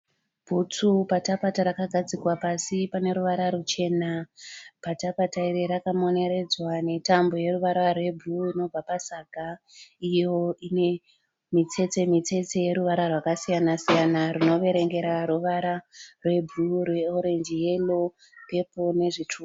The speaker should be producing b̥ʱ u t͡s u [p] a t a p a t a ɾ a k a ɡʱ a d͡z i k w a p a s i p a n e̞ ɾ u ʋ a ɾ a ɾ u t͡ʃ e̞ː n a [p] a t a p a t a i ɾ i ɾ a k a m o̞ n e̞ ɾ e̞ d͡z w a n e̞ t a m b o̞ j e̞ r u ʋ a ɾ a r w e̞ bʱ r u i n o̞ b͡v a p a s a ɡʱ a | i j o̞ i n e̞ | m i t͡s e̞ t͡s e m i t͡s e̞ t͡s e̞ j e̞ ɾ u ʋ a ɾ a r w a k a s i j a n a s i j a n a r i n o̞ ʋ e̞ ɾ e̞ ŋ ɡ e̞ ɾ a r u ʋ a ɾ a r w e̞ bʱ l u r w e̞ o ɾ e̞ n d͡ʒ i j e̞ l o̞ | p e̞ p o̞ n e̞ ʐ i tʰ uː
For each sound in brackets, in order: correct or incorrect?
correct, correct

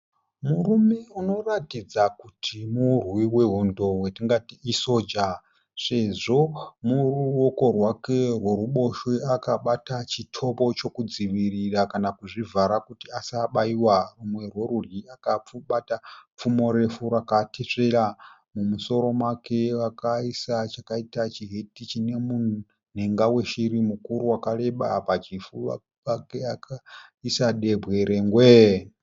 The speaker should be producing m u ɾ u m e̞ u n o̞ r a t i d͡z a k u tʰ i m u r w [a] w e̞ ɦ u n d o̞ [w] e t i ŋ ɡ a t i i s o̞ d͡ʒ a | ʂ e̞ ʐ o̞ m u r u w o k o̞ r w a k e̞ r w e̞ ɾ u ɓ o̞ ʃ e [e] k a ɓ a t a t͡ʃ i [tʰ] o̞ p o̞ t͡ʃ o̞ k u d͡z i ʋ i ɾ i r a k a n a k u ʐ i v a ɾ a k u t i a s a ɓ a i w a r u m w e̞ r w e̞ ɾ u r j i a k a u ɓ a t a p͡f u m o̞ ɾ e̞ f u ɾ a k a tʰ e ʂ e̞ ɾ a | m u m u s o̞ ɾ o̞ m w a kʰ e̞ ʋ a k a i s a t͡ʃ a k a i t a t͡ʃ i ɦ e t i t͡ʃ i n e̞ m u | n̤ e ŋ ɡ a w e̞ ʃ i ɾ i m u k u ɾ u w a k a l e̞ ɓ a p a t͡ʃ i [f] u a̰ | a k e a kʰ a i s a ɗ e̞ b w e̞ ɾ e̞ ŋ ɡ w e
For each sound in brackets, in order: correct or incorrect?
incorrect: i, correct, incorrect: a, correct, correct

